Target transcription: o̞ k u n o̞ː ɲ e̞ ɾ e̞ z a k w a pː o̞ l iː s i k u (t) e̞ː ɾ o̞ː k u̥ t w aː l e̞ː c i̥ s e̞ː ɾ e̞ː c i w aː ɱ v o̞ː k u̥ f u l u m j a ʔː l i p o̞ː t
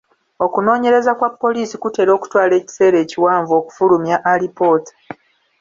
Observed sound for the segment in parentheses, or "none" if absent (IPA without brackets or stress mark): t